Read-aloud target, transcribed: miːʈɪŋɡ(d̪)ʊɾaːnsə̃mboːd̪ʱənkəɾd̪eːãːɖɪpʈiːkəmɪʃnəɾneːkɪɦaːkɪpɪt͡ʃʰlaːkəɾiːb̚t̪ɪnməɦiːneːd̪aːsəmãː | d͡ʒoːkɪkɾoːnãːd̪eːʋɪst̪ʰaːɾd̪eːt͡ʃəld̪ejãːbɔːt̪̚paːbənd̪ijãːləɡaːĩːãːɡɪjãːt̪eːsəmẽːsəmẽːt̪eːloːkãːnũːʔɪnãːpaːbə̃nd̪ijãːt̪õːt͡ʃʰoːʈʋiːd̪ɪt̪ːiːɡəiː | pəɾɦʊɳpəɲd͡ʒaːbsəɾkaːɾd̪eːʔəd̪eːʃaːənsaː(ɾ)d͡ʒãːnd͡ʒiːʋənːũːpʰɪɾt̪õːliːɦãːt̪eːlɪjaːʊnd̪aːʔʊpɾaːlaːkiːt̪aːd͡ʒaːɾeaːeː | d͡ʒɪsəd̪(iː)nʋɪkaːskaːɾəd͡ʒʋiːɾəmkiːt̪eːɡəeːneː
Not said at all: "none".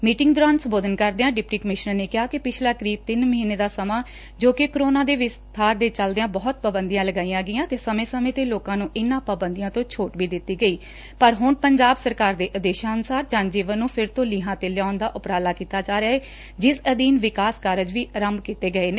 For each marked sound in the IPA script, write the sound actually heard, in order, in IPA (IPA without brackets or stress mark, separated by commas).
d̪, ɾ, iː